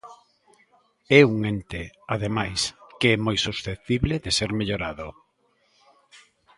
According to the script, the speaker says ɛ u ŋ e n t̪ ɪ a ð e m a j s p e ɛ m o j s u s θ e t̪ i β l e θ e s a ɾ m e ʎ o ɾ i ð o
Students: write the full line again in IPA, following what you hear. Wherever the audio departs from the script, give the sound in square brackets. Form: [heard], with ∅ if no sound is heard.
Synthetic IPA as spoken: ɛ u ŋ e n t̪ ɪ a ð e m a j s [k] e ɛ m o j s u s θ e t̪ i β l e [ð] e s [e] ɾ m e ʎ o ɾ [a] ð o